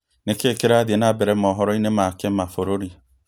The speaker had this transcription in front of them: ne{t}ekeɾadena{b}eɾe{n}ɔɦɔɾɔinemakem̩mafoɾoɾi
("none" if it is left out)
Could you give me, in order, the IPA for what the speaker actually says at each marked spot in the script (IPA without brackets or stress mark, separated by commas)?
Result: k, b, m